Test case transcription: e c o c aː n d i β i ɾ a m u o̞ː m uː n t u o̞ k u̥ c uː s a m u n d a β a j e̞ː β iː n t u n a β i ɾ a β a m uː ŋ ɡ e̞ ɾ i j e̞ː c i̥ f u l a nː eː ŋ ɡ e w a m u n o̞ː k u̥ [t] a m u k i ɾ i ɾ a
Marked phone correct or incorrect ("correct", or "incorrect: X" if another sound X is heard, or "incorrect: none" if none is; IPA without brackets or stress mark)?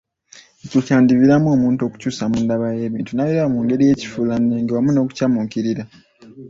incorrect: c